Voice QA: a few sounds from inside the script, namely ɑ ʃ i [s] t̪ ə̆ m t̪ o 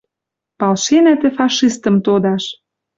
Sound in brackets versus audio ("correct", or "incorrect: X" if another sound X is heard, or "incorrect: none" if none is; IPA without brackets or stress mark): correct